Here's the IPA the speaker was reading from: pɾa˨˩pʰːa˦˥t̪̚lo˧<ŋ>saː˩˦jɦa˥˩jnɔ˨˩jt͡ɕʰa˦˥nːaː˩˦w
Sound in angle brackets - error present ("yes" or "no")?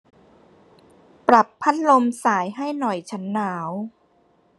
yes